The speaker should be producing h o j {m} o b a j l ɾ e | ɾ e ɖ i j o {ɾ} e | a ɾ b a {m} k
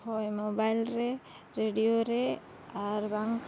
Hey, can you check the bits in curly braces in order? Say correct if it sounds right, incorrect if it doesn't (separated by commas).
correct, correct, incorrect